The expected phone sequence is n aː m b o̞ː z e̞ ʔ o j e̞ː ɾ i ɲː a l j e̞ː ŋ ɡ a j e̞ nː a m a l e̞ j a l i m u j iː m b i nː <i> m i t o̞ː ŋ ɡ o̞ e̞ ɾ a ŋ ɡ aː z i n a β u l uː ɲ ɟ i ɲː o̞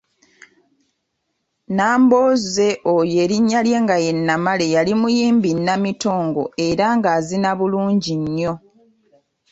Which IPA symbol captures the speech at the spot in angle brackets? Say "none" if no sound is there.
a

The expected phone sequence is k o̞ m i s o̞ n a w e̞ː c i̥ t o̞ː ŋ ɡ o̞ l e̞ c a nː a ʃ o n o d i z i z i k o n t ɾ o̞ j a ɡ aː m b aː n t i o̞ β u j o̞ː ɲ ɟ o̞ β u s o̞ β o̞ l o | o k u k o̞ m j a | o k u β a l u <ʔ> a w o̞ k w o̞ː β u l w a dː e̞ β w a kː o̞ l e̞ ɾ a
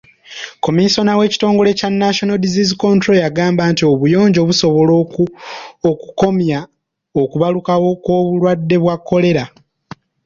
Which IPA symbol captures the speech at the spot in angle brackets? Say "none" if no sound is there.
k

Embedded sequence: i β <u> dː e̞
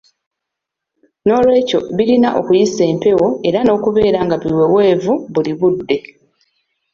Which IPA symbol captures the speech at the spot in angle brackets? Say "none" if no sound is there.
u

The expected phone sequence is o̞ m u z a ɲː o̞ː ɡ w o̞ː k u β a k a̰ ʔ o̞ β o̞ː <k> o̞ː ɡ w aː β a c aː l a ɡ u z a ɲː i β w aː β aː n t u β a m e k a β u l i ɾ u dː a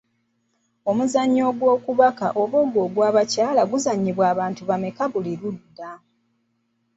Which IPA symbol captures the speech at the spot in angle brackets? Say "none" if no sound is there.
ɡ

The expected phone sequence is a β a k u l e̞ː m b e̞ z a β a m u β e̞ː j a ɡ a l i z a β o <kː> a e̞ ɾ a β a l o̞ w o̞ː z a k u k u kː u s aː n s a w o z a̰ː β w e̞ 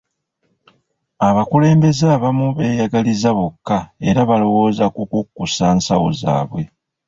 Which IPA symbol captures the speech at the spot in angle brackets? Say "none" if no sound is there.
kː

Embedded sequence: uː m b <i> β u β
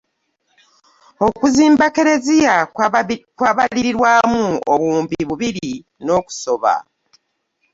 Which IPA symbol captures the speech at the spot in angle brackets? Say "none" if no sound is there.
i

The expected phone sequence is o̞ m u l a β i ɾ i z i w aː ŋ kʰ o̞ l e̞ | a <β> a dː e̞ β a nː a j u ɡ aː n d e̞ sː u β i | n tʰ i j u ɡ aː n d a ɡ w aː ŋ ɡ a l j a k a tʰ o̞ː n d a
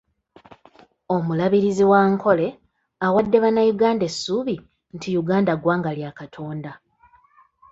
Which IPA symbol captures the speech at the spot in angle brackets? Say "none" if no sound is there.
w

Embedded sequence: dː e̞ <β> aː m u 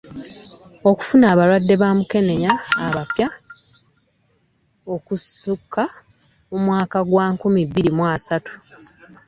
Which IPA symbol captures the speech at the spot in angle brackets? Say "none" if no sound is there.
β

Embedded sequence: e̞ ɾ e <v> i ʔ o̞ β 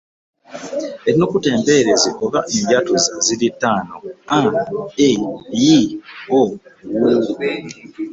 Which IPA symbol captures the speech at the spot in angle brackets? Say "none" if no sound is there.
z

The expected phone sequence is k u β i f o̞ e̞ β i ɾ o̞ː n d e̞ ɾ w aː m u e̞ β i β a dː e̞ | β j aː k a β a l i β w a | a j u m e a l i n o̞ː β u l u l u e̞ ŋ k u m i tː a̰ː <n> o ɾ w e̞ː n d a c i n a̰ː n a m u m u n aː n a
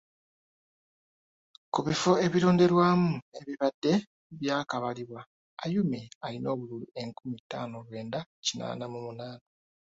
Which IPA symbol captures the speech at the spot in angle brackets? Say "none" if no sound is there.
n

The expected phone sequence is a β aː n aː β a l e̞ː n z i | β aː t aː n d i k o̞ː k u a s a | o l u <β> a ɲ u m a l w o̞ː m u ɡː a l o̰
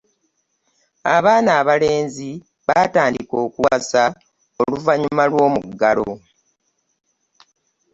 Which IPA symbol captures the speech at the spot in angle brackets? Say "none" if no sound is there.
v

